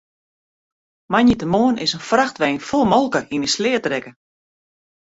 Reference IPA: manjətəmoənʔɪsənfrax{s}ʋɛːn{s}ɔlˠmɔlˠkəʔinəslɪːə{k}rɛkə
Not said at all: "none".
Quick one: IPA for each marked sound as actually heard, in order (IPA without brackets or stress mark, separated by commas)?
t, f, t